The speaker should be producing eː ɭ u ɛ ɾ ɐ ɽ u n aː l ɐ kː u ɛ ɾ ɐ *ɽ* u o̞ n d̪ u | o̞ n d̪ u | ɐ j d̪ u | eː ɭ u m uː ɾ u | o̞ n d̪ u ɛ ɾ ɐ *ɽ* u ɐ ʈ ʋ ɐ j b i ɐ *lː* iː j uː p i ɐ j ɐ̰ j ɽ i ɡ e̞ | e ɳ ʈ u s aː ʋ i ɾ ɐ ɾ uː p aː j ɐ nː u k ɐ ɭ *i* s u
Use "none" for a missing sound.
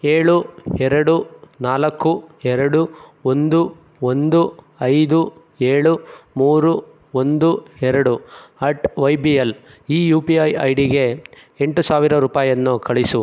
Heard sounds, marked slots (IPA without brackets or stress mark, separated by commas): ɽ, ɽ, l, i